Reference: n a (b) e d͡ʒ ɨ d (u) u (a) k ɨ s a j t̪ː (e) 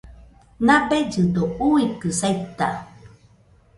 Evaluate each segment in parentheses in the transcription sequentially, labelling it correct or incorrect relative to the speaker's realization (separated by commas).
correct, incorrect, incorrect, incorrect